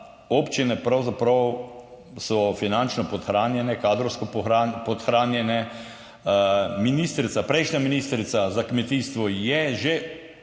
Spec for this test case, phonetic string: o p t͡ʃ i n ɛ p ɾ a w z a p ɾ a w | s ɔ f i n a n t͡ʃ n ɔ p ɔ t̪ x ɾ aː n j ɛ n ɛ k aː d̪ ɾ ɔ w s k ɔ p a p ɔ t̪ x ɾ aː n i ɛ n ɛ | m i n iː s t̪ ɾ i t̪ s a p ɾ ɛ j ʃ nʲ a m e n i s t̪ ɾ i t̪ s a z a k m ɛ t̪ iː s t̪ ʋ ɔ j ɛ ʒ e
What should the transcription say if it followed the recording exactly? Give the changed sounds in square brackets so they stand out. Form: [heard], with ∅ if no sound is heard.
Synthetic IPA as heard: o p t͡ʃ i n ɛ p ɾ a w z a p ɾ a w | s ɔ f i n a n t͡ʃ n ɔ p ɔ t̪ x ɾ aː n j ɛ n ɛ k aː d̪ ɾ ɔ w s k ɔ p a p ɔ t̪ x ɾ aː n [j] ɛ n ɛ | m i n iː s t̪ ɾ i t̪ s a p ɾ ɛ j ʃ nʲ a m [i] n i s t̪ ɾ i t̪ s a z a k m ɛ t̪ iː s t̪ ʋ ɔ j ɛ ʒ e